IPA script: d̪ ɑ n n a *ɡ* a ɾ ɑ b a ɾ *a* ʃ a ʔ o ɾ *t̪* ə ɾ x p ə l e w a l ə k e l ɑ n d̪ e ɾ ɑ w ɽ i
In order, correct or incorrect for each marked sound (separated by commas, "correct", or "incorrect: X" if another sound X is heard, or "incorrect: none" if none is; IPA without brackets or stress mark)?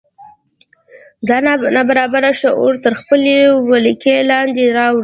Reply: incorrect: b, correct, correct